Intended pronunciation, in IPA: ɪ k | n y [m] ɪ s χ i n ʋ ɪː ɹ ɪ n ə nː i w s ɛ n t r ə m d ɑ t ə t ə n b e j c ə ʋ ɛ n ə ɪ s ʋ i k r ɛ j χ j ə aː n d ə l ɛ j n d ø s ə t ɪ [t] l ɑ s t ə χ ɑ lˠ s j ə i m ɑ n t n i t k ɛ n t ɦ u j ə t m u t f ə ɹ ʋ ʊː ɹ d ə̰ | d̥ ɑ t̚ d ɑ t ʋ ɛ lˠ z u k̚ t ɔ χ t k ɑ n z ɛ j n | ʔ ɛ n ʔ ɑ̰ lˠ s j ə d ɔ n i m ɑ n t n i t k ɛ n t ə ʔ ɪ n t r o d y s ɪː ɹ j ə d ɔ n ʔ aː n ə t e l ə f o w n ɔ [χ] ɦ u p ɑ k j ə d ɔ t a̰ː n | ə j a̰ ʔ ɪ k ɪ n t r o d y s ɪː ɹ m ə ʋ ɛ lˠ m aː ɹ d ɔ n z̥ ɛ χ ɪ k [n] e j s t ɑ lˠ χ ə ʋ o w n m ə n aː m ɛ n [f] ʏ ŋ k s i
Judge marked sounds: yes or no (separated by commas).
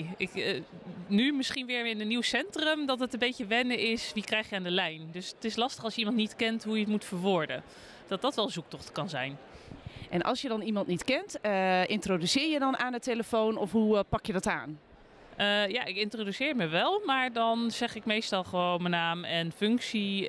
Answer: yes, no, no, no, yes